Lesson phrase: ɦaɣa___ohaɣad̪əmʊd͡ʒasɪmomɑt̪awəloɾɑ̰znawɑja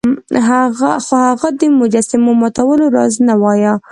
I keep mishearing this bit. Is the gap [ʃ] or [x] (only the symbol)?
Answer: x